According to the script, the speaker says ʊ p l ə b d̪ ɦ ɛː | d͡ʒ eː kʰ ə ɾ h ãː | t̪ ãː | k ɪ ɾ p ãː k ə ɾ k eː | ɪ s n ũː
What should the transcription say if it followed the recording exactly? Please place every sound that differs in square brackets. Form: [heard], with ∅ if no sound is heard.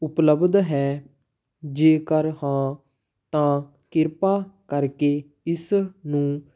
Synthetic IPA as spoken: ʊ p l ə b d̪ ɦ ɛː | d͡ʒ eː [k] ə ɾ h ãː | t̪ ãː | k ɪ ɾ p [aː] k ə ɾ k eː | ɪ s n ũː